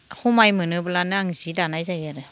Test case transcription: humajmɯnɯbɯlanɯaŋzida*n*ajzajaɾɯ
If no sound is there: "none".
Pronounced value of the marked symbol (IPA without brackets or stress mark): n